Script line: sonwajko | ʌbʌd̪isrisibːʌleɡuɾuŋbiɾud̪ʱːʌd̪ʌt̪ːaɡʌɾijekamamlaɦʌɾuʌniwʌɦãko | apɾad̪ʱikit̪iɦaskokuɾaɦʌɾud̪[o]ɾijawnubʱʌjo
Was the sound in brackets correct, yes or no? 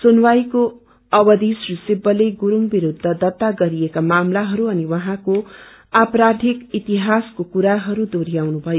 yes